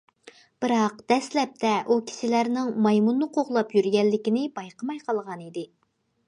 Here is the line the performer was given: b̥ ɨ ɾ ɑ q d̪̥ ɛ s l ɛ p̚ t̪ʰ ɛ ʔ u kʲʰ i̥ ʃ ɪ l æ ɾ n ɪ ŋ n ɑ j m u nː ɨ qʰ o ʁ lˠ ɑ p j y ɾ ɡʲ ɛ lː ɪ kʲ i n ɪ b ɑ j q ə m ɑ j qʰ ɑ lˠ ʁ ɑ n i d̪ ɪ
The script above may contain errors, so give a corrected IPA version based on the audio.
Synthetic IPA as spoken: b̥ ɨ ɾ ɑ q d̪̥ ɛ s l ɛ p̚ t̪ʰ ɛ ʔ u kʲʰ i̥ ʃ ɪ l æ ɾ n ɪ ŋ m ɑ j m u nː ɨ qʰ o ʁ lˠ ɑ p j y ɾ ɡʲ ɛ lː ɪ kʲ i n ɪ b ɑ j q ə m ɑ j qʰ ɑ lˠ ʁ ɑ n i d̪ ɪ